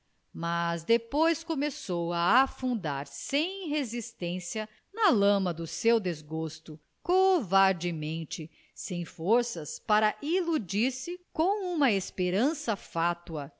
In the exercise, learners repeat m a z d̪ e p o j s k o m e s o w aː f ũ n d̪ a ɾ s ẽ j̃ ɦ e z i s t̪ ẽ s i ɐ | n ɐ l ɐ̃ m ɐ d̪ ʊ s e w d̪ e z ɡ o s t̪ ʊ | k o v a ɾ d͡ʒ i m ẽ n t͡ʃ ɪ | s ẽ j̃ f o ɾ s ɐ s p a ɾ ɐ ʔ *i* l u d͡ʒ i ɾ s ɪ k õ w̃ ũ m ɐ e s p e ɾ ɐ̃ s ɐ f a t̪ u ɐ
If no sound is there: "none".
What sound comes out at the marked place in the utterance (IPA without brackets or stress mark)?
i